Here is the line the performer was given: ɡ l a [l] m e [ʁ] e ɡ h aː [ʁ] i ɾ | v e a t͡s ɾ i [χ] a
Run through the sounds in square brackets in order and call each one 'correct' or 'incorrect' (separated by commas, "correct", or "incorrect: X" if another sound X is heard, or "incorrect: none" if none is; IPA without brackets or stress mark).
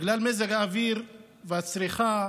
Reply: correct, incorrect: z, incorrect: v, correct